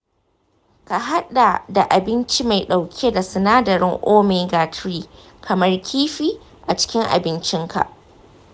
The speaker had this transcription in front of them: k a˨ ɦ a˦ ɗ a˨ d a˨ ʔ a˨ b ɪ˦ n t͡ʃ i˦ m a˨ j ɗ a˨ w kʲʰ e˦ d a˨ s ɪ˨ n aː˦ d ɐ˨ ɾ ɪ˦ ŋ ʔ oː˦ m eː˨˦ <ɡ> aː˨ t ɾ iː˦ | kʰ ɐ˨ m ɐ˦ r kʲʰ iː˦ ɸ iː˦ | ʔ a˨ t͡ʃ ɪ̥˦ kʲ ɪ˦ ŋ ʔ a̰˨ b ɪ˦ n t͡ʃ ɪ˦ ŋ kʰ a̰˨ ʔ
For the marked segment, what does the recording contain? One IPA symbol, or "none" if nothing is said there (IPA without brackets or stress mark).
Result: ɡ